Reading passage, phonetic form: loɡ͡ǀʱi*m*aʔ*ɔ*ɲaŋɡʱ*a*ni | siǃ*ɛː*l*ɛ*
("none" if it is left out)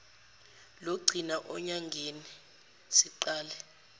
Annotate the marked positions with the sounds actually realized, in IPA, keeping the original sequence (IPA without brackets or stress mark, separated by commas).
n, ɔ, e, aː, ɛ